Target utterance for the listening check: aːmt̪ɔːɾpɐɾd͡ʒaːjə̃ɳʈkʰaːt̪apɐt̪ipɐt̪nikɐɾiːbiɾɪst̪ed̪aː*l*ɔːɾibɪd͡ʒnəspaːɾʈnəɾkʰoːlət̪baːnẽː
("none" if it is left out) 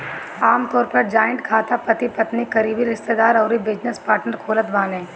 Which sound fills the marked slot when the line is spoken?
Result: ɾ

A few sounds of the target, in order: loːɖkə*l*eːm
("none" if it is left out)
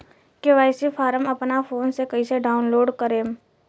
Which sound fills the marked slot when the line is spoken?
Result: ɾ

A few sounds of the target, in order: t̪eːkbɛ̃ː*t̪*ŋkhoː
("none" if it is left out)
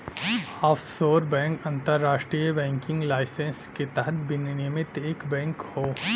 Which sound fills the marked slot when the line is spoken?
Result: none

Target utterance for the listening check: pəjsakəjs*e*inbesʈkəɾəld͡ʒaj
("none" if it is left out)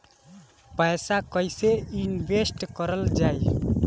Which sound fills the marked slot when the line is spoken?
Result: e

